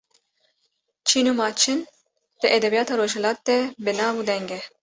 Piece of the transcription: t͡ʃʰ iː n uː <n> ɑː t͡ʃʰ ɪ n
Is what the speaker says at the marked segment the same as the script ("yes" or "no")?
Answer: no